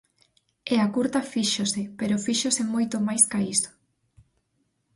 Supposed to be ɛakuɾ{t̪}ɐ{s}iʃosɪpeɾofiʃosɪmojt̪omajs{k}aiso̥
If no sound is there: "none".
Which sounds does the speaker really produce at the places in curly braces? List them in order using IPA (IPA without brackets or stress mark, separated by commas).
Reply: t̪, f, k